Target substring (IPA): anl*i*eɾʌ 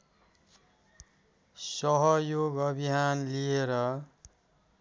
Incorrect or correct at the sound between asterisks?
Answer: correct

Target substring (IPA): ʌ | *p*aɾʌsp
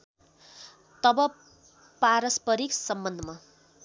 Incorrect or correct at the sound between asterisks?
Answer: correct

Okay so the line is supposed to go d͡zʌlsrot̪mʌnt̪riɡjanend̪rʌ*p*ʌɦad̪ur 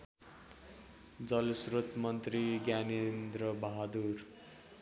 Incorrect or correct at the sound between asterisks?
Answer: incorrect: b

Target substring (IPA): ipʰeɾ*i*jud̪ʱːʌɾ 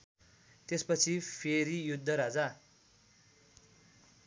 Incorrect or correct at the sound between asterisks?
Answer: correct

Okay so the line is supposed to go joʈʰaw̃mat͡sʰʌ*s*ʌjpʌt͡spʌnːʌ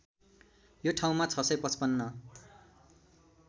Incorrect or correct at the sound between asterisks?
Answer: correct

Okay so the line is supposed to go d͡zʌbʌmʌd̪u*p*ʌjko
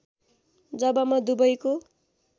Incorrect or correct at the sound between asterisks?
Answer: incorrect: b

